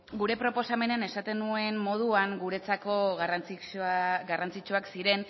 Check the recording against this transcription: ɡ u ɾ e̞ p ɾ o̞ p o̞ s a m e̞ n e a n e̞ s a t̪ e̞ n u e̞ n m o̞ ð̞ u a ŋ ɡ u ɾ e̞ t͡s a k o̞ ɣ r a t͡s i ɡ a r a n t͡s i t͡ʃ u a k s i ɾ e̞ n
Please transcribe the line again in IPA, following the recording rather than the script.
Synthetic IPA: ɡ u ɾ e̞ p ɾ o̞ p o̞ s a m e̞ n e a n e̞ s a t̪ e̞ n u e̞ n m o̞ ð̞ u a ŋ ɡ u ɾ e̞ t͡s a k o̞ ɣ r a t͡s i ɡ a r a n t͡s i t͡ʃ u a k s i ɾ e̞ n

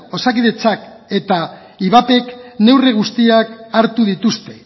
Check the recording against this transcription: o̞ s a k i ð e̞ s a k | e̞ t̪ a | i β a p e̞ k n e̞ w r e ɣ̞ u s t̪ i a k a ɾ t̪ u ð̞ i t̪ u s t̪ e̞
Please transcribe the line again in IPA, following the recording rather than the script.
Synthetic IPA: o̞ s a k i ð e̞ t͡s a k | e̞ t̪ a | i β a p e̞ k n e̞ w r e ɣ̞ u s t̪ i a k a ɾ t̪ u ð̞ i t̪ u s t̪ e̞

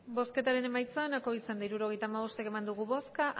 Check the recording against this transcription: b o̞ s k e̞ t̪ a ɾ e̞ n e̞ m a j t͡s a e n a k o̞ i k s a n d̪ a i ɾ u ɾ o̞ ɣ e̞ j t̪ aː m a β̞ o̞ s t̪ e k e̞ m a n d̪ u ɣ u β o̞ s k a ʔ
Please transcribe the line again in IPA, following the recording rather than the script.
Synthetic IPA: b o̞ s k e̞ t̪ a ɾ e̞ n e̞ m a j t͡s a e n a k o̞ i s a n d̪ a i ɾ u ɾ o̞ ɣ e̞ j t̪ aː m a β̞ o̞ s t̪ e k e̞ m a n d̪ u ɣ u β o̞ s k a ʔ

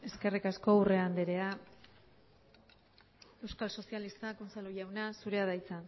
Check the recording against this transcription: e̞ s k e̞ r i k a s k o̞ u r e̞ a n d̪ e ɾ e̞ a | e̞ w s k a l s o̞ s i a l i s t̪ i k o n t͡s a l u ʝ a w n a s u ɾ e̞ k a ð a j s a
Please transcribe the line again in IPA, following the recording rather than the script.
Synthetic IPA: e̞ s k e̞ r i k a s k o̞ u r e̞ a n d̪ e ɾ e̞ a | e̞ w s k a l s o̞ s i a l i s t̪ a k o n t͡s a l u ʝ a w n a s u ɾ e̞ a ð a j t͡s a

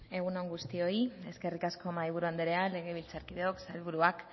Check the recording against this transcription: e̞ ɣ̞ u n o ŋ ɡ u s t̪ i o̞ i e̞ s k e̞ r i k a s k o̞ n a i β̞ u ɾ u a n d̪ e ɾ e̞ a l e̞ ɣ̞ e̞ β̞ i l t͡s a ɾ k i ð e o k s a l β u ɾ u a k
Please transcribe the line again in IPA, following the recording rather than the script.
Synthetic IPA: e̞ ɣ̞ u n o ŋ ɡ u s t̪ i o̞ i e̞ s k e̞ r i k a s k o̞ m a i β̞ u ɾ u a n d̪ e ɾ e̞ a l e̞ ɣ̞ e̞ β̞ i l t͡s a ɾ k i ð e o k s a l β u ɾ u a k

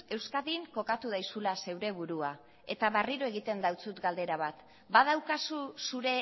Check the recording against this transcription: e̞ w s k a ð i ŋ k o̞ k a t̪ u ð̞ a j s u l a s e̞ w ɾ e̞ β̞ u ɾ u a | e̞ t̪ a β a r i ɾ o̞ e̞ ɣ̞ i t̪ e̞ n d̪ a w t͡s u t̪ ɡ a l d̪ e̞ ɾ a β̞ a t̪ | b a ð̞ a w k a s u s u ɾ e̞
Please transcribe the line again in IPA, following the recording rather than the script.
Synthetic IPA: e̞ w s k a ð i ŋ k o̞ k a t̪ u ð̞ a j s u l a s e̞ w ɾ e̞ β̞ u ɾ u a | e̞ t̪ a β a r i ɾ o̞ e̞ ɣ̞ i t̪ e̞ n d̪ a w t͡s u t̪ ɡ a l d̪ e̞ ɾ a β̞ a t̪ | b a ð̞ a w k a s u s u ɾ e̞

